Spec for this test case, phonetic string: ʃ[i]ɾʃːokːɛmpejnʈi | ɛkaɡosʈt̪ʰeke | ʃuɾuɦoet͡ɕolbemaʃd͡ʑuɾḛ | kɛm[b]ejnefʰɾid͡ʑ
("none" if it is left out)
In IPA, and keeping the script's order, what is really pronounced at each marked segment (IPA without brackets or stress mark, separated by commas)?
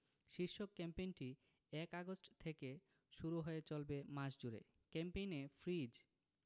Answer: i, p